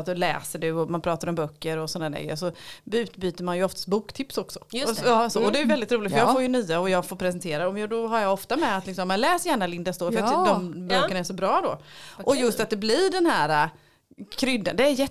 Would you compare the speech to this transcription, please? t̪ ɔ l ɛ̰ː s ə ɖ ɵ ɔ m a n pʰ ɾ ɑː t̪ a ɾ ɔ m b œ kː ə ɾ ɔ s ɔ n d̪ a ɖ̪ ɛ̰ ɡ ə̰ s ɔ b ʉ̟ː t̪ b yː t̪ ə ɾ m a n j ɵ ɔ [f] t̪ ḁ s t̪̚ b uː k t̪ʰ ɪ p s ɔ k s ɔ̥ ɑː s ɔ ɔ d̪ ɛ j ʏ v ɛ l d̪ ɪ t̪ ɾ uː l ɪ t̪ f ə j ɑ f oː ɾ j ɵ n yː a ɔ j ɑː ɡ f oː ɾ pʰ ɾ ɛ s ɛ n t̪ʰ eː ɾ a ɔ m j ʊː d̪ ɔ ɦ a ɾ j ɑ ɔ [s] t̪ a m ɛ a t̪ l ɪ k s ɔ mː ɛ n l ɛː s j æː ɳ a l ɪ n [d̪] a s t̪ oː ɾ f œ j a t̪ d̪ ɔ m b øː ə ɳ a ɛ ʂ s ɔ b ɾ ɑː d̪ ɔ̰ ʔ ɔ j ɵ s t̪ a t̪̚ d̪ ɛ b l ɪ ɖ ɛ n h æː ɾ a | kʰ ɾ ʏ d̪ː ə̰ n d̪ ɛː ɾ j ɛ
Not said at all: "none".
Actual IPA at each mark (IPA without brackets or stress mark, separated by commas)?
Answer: f, f, d̪